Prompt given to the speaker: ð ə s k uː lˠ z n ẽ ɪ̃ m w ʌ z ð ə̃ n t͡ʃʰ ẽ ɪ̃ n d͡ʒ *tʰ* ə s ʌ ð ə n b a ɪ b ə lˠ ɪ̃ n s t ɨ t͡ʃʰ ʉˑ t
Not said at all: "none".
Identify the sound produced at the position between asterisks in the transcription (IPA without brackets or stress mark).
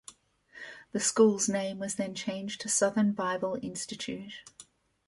tʰ